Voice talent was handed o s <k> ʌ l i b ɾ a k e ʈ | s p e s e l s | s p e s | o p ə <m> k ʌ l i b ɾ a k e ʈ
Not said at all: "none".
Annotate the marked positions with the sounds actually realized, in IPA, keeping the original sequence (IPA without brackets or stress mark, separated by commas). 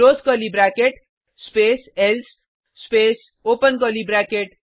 k, n